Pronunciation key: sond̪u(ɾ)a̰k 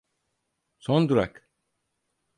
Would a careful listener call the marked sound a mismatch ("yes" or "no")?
no